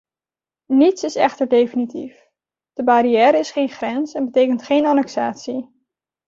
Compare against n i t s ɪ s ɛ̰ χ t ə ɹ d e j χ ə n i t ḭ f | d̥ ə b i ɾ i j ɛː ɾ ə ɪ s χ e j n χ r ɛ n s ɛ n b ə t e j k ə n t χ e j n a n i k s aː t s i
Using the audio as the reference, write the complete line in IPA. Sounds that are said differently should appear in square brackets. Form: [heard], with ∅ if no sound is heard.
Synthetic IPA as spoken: n i t s ɪ s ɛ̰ χ t ə ɹ d e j [f] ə n i t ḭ f | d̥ ə b [a] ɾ i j ɛː ɾ ə ɪ s χ e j n χ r ɛ n s ɛ n b ə t e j k ə n t χ e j n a n [ɛ] k s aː t s i